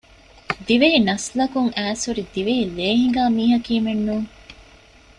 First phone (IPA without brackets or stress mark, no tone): d̪